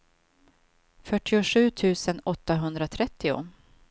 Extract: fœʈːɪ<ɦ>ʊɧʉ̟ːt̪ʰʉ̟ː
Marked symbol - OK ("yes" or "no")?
no